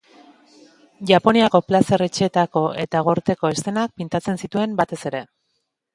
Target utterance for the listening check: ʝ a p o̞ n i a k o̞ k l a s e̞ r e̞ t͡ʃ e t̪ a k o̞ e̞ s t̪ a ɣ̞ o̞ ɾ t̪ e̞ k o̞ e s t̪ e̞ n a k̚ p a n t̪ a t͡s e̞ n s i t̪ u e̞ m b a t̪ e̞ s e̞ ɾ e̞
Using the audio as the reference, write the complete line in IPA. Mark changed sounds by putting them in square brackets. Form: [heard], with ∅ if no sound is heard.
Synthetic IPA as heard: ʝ a p o̞ n i a k o̞ [p] l a s e̞ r e̞ t͡ʃ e t̪ a k o̞ e̞ [∅] t̪ a ɣ̞ o̞ ɾ t̪ e̞ k o̞ e s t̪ e̞ n a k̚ p [i] n t̪ a t͡s e̞ n s i t̪ u e̞ m b a t̪ e̞ s e̞ ɾ e̞